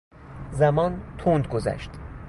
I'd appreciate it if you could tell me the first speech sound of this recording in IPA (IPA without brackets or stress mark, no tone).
z